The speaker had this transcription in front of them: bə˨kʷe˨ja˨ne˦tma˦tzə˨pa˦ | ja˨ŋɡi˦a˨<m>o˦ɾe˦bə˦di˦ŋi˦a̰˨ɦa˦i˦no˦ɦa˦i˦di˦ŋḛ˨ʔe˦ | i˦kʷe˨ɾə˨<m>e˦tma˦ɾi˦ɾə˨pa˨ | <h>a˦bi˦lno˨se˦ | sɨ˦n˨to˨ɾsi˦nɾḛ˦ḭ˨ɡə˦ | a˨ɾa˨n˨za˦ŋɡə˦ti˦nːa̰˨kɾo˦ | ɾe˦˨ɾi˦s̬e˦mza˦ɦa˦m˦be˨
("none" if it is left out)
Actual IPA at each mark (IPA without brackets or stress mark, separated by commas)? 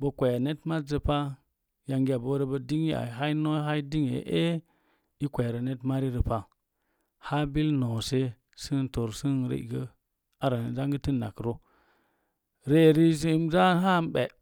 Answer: b, n, h